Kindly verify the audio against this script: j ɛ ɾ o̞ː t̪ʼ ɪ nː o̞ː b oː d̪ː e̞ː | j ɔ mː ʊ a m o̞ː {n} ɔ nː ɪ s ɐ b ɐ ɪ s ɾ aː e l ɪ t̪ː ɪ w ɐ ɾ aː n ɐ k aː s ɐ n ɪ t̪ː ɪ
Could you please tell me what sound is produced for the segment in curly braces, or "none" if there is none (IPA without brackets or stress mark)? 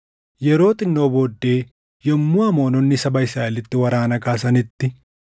n